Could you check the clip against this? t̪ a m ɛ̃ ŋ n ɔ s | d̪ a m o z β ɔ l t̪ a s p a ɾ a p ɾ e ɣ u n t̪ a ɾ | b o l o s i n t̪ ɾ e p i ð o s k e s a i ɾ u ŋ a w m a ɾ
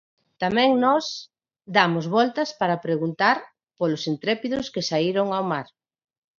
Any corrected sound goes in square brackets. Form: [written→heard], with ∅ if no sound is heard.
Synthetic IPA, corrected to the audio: t̪ a m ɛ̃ ŋ n ɔ s | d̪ a m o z β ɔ l t̪ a s p a ɾ a p ɾ e ɣ u n t̪ a ɾ | [b→p] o l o s i n t̪ ɾ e p i ð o s k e s a i ɾ [u→o] ŋ a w m a ɾ